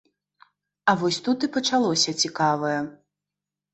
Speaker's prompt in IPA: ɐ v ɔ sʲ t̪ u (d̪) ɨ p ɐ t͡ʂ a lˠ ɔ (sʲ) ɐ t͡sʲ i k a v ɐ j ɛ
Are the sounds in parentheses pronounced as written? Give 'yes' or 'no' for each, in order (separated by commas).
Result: no, yes